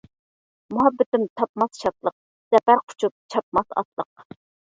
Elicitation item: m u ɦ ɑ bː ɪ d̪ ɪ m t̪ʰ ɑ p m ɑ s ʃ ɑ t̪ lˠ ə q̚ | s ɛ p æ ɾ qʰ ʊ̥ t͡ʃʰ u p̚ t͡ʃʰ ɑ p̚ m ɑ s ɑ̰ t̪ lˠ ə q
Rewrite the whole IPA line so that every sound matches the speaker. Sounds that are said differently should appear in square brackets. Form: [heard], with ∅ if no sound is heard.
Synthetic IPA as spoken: m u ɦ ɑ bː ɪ [t̪] ɪ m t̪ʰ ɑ p m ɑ s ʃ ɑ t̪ lˠ ə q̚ | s ɛ p æ ɾ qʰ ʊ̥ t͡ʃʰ u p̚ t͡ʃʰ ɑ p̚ m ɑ s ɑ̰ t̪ lˠ ə q